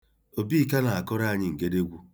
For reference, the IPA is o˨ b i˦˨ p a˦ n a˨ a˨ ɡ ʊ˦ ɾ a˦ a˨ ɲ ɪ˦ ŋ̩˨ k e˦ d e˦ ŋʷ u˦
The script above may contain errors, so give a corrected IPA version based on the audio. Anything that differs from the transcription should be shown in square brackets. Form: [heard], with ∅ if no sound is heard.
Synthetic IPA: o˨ b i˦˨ [k] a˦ n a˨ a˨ [k] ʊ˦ ɾ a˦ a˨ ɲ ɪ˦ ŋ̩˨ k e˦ d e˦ [ɡʷ] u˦

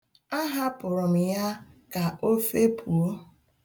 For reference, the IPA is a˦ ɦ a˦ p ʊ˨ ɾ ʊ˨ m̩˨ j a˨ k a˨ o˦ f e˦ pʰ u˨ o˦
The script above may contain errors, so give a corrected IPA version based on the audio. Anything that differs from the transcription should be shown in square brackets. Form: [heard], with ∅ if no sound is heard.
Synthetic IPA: a˦ ɦ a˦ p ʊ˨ ɾ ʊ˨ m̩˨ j [a˦] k a˨ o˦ f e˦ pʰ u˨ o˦

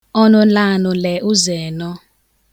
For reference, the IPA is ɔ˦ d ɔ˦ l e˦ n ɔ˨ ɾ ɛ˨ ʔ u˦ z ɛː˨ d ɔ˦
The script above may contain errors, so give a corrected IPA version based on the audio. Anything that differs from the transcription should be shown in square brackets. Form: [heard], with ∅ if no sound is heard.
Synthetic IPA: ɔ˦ [n] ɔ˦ l [a˦] n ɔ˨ [l] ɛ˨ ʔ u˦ z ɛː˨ [n] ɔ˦

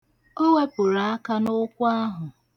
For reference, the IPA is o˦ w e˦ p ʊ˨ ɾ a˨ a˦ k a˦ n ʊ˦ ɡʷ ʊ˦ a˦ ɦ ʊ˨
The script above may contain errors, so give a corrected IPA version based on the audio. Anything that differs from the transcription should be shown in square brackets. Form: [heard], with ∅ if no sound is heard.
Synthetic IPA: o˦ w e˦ p ʊ˨ ɾ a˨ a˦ k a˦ n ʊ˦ [kʷ] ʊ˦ a˦ ɦ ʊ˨

